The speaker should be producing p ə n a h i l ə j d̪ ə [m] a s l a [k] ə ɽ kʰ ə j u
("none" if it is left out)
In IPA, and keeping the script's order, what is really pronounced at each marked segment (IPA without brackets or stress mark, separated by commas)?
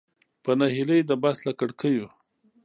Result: b, k